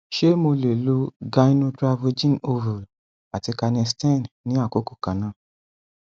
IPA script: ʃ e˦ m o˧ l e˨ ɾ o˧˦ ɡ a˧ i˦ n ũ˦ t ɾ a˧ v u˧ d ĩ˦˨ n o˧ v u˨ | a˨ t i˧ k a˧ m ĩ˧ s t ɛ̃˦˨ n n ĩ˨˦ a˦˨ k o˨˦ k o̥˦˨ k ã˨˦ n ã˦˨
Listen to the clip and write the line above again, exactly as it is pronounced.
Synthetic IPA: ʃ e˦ m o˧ l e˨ l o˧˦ ɡ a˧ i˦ n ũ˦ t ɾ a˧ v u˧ d͡ʒ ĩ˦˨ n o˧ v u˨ | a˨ t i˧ k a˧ n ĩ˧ s t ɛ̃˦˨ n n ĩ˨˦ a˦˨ k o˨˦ k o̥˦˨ k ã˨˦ n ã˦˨